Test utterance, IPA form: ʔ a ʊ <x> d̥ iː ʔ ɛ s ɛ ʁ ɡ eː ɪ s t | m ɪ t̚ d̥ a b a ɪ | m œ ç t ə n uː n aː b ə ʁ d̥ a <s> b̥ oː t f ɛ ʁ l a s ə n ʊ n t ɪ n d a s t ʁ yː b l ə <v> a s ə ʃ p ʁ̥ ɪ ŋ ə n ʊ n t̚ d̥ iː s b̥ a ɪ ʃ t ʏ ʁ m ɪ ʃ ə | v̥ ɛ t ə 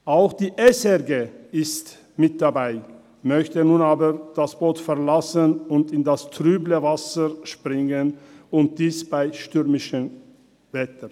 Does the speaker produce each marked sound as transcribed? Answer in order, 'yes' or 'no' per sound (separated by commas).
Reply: yes, yes, yes